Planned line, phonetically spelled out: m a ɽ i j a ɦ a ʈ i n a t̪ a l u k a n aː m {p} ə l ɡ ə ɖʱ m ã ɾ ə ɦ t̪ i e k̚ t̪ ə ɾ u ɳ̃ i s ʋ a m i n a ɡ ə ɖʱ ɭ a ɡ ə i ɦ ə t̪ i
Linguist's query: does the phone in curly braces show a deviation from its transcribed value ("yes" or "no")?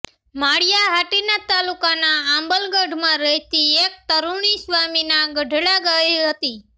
yes